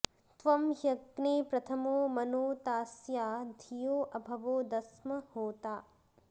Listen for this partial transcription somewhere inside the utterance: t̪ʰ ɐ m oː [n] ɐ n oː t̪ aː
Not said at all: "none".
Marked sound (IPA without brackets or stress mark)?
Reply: m